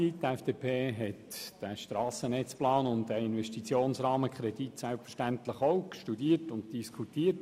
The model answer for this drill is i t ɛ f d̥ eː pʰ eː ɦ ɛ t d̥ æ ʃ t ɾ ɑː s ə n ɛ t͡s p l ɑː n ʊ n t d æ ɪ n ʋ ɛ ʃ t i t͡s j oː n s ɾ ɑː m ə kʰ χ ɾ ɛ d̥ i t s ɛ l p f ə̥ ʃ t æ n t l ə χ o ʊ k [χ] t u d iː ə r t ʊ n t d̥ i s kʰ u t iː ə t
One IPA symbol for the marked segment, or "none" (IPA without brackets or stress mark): ʃ